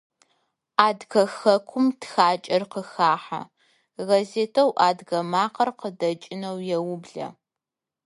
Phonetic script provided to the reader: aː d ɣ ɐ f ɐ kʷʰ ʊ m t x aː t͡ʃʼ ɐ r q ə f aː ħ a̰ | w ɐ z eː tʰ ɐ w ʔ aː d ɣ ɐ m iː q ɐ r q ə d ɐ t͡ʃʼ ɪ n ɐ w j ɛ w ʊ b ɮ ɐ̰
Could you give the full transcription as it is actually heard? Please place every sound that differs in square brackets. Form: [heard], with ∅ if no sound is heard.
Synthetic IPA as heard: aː d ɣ ɐ [x] ɐ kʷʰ ʊ m t x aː t͡ʃʼ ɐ r q ə [x] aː ħ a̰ | [ɣ] ɐ z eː tʰ ɐ w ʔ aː d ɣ ɐ m [aː] q ɐ r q ə d ɐ t͡ʃʼ ɪ n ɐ w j ɛ w ʊ b ɮ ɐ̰